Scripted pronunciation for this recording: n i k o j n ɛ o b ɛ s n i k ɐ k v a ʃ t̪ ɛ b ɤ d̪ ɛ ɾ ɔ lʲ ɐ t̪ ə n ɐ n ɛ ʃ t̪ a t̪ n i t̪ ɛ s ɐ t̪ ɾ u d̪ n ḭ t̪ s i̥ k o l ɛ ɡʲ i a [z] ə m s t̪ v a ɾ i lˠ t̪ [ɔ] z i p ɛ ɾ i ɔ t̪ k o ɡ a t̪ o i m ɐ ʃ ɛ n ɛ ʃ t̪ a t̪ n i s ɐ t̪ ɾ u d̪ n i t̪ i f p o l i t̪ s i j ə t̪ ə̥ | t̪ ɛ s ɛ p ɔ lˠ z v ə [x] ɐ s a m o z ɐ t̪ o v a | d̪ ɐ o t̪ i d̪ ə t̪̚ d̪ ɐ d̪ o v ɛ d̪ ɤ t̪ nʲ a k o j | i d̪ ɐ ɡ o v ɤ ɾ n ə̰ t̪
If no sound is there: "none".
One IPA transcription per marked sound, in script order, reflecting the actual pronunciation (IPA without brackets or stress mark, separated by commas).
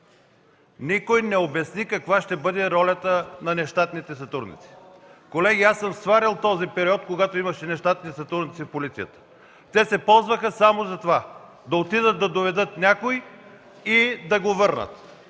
s, ɔ, x